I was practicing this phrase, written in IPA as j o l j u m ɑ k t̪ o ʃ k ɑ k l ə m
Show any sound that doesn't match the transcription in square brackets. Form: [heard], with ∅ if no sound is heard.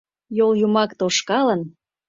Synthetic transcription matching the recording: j o l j u m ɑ k t̪ o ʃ k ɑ [∅] l ə [n]